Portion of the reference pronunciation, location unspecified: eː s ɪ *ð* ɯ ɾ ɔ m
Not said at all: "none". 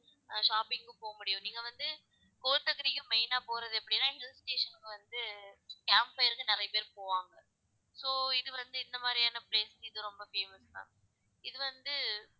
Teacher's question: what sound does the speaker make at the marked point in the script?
ð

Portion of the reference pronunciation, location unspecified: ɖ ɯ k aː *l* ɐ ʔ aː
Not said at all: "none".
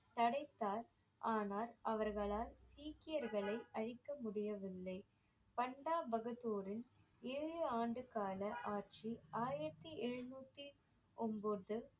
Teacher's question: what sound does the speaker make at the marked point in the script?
l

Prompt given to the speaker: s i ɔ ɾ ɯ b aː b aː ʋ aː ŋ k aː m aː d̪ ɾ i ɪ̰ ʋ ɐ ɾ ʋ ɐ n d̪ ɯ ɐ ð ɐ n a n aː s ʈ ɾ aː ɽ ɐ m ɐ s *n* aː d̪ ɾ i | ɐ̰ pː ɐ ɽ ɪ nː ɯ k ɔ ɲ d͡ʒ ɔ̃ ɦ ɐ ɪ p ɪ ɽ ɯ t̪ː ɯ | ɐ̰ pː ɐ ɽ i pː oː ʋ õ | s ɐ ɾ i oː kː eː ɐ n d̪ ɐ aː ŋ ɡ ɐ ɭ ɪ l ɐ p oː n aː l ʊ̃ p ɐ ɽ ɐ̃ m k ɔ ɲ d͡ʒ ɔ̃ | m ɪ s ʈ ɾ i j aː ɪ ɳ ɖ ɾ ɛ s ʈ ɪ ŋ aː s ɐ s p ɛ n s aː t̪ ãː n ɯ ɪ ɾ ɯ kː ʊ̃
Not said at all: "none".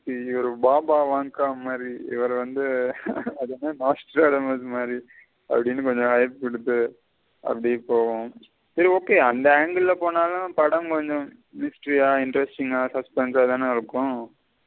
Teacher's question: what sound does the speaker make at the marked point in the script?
m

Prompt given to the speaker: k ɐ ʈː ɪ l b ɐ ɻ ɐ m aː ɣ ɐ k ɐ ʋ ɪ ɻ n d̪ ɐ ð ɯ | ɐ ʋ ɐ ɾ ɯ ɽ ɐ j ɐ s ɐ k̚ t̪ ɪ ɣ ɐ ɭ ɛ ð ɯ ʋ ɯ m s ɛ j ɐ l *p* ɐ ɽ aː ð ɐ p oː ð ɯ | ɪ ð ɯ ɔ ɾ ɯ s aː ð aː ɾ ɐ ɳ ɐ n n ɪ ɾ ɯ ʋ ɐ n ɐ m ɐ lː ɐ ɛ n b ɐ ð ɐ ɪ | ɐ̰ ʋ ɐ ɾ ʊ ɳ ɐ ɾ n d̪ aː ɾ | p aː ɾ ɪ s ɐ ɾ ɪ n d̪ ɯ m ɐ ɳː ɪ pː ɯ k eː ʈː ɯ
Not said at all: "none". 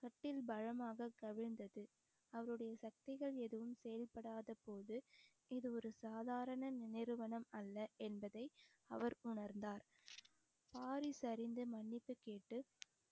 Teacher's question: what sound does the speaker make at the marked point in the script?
p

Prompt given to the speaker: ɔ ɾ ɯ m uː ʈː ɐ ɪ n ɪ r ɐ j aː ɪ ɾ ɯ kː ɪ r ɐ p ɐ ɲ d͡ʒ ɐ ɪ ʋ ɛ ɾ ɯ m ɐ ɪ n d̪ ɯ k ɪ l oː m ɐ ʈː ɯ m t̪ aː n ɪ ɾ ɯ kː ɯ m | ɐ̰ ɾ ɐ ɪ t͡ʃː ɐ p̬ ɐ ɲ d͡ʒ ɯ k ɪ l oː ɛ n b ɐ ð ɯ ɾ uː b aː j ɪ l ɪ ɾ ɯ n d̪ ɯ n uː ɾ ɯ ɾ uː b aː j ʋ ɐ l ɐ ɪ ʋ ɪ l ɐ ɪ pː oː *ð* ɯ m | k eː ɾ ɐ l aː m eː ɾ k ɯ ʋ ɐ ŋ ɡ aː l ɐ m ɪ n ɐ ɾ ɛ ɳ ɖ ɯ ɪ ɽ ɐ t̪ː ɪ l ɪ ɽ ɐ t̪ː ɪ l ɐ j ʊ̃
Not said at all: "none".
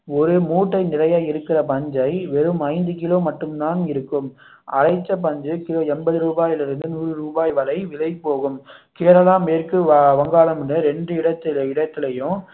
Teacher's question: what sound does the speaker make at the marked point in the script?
ɣ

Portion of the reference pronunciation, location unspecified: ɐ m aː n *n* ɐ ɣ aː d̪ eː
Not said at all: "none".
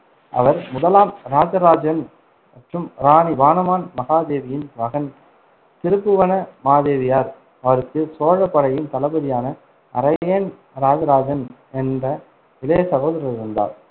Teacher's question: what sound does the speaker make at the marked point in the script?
m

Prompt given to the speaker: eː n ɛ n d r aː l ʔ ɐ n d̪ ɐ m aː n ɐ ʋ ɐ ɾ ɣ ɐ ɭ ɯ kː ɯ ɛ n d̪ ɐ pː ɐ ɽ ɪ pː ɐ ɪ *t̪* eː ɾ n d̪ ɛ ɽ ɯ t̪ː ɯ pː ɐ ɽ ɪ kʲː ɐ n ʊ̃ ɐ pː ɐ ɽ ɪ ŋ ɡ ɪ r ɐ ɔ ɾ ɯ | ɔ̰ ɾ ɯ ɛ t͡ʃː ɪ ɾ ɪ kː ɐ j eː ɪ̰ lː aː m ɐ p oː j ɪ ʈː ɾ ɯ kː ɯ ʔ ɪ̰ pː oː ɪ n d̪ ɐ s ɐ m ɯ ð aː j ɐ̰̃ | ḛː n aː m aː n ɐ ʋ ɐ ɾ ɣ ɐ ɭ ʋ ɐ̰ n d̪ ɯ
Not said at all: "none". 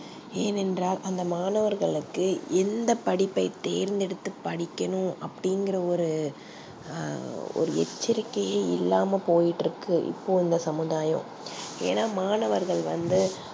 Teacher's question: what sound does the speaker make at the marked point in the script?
t̪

